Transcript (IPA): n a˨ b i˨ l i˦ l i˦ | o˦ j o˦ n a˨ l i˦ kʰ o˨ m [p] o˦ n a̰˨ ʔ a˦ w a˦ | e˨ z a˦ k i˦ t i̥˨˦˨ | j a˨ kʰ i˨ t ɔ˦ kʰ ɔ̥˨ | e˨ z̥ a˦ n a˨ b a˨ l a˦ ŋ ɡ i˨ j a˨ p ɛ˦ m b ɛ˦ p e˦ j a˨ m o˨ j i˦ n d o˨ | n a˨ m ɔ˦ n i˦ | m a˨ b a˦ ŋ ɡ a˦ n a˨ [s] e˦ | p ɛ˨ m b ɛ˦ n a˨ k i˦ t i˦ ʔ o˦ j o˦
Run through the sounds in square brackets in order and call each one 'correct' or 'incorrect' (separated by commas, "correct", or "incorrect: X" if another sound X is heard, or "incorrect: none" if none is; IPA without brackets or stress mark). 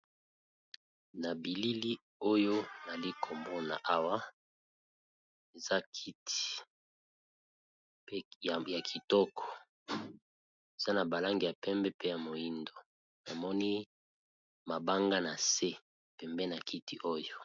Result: incorrect: b, correct